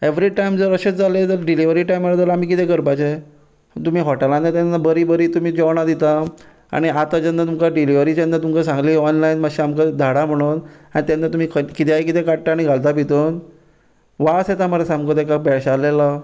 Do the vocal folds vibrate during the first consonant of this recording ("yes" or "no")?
yes